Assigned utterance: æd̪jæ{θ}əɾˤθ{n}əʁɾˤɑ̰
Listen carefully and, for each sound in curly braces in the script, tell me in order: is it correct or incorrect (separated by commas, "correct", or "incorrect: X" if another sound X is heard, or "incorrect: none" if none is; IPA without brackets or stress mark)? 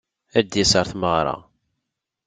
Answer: incorrect: s, incorrect: m